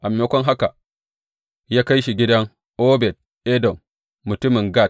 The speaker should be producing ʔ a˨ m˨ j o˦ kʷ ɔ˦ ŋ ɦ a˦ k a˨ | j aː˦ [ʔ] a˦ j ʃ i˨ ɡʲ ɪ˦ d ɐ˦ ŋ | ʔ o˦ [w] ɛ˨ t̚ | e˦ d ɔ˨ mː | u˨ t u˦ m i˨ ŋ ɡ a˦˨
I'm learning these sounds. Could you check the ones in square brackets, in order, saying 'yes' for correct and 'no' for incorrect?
no, no

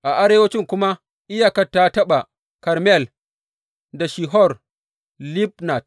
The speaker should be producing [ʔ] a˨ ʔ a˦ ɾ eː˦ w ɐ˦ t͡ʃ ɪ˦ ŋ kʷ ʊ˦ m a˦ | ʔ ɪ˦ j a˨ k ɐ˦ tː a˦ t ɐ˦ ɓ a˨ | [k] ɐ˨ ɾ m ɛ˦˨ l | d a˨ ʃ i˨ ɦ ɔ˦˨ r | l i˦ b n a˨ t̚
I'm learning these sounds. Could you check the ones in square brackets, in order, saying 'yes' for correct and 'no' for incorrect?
yes, yes

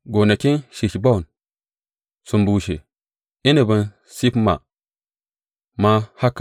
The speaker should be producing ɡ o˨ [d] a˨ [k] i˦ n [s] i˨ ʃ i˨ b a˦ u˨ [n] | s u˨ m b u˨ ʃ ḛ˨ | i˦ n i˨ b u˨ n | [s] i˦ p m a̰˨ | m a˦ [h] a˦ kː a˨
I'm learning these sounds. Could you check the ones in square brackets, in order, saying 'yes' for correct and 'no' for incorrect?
no, yes, no, yes, yes, yes

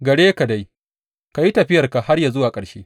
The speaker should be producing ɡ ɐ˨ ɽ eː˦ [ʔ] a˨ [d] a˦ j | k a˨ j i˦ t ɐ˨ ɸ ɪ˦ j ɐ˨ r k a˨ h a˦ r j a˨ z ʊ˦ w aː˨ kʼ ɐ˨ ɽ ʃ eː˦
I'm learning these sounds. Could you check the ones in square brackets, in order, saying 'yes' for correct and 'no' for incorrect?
no, yes

